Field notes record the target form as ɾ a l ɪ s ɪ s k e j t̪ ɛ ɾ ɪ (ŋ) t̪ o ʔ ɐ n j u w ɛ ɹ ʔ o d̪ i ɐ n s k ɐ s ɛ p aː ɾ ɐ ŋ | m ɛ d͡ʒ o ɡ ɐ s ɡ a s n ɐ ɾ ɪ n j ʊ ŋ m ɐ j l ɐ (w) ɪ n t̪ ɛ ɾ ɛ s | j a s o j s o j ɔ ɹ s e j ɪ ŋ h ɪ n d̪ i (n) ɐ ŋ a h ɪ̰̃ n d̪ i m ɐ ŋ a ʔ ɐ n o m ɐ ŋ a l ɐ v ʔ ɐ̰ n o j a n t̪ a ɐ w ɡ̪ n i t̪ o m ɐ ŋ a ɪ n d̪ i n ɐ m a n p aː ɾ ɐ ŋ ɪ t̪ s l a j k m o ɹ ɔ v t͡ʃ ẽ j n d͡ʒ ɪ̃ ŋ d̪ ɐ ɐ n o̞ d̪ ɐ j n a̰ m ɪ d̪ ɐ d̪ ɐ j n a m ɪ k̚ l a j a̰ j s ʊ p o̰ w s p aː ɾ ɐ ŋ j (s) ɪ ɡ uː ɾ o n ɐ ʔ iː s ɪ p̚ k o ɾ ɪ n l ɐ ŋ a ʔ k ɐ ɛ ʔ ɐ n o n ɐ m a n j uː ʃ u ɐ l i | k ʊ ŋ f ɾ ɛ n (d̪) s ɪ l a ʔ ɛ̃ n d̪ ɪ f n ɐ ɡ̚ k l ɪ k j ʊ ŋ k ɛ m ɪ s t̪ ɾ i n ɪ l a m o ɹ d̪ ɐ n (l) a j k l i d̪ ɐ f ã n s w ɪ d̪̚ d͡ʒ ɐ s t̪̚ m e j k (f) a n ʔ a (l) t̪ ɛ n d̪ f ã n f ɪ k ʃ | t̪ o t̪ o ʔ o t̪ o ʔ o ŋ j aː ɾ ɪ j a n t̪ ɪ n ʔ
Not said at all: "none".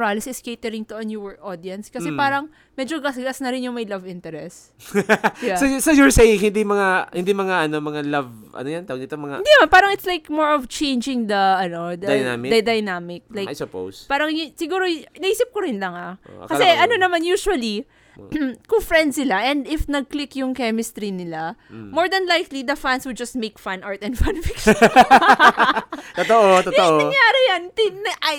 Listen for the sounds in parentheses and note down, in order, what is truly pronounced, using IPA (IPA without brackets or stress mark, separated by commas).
ŋ, v, m, s, d̪, l, f, ɹ